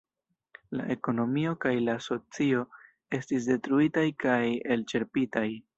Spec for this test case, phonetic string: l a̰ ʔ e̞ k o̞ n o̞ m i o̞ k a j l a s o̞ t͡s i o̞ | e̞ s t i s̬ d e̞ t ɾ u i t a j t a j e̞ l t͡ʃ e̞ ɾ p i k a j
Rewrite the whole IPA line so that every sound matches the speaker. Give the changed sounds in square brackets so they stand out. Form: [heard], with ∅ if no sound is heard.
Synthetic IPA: l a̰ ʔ e̞ k o̞ n o̞ m i o̞ k a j l a s o̞ t͡s i o̞ | e̞ s t i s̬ d e̞ t ɾ u i t a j [k] a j e̞ l t͡ʃ e̞ ɾ p i [t] a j